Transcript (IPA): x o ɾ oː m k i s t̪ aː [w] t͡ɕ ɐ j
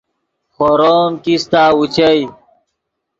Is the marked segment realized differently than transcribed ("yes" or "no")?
yes